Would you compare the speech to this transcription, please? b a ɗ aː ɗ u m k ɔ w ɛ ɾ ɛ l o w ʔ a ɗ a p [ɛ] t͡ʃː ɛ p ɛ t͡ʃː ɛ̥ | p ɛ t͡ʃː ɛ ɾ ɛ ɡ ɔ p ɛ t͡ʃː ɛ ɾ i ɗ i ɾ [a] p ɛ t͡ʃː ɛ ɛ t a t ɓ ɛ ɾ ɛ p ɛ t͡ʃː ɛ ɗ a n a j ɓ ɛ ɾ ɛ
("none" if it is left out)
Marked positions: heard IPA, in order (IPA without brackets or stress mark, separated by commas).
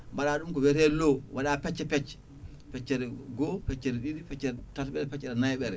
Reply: ɛ, i